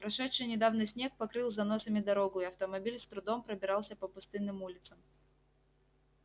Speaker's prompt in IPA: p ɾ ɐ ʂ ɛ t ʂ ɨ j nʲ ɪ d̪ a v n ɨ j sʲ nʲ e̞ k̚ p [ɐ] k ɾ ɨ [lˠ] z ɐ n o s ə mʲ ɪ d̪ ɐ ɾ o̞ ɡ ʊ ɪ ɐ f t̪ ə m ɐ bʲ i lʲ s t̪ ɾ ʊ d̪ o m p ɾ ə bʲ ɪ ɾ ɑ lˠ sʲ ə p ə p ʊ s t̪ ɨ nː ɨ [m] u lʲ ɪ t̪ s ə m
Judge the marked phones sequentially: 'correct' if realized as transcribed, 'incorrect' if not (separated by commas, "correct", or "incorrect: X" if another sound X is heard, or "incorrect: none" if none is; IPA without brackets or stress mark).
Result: correct, correct, correct